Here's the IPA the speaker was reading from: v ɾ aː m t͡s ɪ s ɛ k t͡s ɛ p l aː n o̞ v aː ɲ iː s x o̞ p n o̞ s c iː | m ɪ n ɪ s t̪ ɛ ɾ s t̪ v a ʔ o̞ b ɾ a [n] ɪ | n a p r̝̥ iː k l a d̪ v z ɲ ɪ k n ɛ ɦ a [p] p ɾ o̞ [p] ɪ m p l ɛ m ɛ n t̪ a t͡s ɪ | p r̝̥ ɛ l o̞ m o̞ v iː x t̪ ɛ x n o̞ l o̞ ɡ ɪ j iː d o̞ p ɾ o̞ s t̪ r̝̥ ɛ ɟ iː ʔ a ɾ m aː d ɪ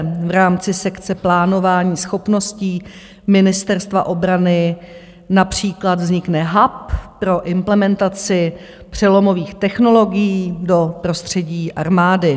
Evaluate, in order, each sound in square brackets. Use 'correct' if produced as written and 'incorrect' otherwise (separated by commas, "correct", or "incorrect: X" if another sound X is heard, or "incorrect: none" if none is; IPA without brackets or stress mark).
correct, correct, incorrect: ʔ